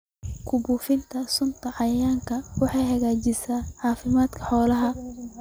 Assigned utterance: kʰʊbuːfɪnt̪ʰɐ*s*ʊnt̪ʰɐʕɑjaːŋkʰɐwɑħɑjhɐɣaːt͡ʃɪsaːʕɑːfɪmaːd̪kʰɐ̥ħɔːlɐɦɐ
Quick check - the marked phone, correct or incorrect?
correct